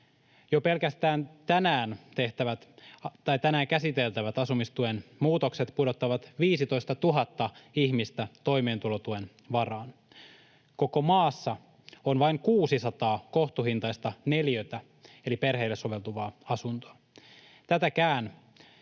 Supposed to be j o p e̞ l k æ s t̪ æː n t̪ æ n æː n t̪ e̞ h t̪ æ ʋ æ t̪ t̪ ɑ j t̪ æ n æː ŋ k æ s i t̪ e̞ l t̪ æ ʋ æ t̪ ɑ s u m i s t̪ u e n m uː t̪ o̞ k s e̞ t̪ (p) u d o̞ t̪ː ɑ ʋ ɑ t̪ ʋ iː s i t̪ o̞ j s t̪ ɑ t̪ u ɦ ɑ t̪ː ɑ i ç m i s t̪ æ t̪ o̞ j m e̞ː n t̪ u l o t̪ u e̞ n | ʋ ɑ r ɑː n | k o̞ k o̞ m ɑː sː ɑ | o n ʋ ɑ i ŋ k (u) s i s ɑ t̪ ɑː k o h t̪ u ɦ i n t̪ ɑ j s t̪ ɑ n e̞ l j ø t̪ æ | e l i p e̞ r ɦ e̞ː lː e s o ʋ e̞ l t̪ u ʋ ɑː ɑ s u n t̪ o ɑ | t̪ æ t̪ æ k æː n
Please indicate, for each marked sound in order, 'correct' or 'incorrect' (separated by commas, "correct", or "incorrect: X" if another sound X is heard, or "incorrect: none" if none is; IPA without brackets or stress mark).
correct, incorrect: uː